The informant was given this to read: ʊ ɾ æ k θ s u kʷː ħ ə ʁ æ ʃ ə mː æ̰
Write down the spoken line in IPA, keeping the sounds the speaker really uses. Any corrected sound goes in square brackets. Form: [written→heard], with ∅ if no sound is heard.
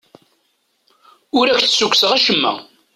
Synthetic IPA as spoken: ʊ ɾ æ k θ s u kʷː [ħ→s] ə ʁ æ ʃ ə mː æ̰

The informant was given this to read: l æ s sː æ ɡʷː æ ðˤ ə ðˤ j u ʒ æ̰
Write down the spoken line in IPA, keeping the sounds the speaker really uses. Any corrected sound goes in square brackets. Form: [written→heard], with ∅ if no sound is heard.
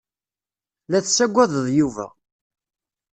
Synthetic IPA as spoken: l æ [s→θ] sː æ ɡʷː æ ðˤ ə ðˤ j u [ʒ→v] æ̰

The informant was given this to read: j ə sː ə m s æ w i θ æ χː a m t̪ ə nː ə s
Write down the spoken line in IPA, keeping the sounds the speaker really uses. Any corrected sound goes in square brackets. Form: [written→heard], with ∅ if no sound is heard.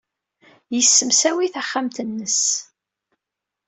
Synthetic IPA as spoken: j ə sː ə m s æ w i θ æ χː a m t̪ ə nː ə s

